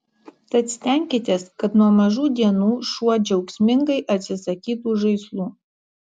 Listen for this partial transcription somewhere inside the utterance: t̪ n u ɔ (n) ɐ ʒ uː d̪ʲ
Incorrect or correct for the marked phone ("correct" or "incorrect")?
incorrect